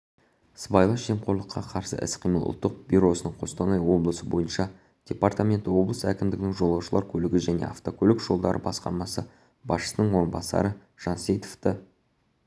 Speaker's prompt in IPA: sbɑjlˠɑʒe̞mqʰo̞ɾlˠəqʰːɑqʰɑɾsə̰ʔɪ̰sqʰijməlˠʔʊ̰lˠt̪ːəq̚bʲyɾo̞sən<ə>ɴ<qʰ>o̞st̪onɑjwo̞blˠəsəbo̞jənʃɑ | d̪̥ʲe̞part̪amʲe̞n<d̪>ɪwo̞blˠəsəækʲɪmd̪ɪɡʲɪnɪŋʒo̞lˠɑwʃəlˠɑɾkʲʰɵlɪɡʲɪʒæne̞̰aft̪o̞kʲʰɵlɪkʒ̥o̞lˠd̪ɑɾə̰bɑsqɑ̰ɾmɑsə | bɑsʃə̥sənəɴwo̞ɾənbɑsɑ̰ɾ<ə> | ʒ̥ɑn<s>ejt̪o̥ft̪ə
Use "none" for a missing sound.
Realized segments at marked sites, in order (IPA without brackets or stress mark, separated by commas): ə, qʰ, t̪, ə, s